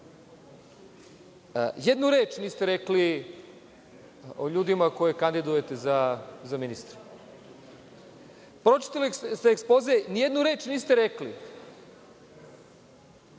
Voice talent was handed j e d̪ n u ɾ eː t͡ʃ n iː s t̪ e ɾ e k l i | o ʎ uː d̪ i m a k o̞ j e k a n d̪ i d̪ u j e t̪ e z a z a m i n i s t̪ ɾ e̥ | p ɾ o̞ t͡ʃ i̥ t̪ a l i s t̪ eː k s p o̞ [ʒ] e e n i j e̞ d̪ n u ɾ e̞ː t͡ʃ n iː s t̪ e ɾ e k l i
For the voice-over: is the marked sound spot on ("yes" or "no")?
no